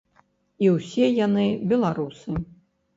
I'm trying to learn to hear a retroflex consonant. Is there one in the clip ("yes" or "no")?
no